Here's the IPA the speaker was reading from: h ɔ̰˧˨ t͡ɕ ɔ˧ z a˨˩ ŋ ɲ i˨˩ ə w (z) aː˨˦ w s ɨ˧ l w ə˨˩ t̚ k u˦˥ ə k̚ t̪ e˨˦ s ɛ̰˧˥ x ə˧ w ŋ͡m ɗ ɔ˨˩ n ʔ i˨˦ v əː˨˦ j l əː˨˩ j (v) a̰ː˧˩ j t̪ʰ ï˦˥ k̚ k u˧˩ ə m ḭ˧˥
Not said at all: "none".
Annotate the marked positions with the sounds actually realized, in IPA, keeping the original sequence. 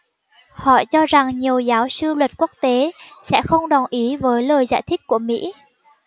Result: z, z

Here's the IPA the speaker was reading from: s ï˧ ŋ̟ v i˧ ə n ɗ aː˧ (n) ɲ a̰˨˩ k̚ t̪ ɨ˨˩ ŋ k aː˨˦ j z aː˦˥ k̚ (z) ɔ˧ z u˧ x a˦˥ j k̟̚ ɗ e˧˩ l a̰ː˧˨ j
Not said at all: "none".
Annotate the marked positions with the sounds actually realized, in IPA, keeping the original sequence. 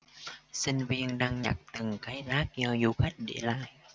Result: ŋ, z

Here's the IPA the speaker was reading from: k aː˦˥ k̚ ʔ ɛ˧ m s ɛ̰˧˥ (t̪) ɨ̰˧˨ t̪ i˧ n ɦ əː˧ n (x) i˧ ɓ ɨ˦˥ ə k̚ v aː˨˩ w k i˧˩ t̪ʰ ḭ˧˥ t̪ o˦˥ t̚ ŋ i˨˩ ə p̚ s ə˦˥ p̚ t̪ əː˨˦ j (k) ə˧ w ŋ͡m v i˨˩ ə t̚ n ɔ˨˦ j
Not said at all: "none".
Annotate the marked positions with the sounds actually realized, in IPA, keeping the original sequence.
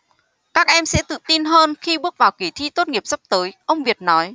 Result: t̪, x, ʔ

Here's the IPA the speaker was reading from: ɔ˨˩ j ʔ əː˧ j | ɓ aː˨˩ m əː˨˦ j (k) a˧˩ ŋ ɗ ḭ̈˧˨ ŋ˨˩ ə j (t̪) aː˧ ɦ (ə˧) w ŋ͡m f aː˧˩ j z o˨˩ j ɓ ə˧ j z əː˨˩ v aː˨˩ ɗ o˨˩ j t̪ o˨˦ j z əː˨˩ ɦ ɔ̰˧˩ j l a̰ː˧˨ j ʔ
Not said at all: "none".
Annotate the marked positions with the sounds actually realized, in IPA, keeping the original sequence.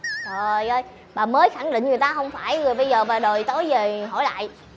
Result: x, t̪, ə˧

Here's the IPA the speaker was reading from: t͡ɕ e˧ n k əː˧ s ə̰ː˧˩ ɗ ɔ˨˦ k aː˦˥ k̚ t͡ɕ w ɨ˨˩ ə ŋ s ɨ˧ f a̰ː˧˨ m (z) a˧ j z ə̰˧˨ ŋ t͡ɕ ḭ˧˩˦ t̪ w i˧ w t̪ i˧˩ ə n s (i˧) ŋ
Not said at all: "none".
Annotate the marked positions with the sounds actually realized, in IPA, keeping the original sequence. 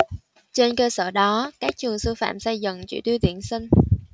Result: s, i˧

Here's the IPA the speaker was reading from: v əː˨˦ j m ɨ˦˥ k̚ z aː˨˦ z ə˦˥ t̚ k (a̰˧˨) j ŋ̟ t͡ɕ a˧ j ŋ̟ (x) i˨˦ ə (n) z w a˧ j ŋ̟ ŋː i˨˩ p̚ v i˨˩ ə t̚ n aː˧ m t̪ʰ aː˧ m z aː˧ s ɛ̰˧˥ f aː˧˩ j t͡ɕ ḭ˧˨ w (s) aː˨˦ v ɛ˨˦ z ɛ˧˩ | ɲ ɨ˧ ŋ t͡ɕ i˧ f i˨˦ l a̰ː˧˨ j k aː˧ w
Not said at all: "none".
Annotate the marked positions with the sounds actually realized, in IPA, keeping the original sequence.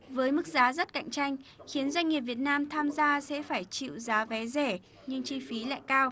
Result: a̰˧˨, x, n, z

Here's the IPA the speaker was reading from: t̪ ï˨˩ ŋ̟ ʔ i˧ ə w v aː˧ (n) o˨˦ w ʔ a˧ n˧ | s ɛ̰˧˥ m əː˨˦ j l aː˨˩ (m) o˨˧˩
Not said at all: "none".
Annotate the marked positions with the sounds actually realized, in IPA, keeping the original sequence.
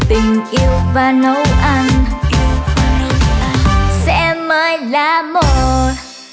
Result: n, m

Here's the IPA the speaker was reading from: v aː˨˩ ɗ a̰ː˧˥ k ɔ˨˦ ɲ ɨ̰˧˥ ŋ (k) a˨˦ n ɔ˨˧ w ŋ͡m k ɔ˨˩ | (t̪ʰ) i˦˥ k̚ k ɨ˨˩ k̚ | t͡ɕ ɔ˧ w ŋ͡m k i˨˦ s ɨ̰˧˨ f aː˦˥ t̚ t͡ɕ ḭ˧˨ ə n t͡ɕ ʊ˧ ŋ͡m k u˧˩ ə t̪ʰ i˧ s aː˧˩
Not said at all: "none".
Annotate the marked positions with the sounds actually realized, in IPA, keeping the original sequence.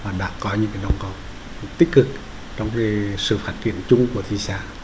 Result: k, t̪

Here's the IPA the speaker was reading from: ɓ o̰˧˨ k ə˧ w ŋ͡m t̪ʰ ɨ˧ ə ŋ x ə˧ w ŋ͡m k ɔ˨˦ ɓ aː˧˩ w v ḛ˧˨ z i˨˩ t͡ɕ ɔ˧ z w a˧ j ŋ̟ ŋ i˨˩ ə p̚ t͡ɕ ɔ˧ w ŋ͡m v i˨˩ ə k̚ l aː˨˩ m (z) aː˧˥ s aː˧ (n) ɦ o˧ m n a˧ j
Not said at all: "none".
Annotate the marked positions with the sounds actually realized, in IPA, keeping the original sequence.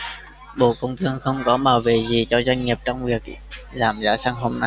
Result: z, ŋ

